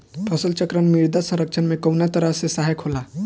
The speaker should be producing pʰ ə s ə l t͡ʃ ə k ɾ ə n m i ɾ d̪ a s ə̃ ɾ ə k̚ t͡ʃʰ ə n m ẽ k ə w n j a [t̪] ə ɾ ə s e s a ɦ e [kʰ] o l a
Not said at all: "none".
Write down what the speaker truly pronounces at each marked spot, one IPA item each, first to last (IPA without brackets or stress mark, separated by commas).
t̪, kʰ